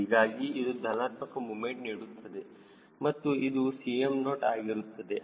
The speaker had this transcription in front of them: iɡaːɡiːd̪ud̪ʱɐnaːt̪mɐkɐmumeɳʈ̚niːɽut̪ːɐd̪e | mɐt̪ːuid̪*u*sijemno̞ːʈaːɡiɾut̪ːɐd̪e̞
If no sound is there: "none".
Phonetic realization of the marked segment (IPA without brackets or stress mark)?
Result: u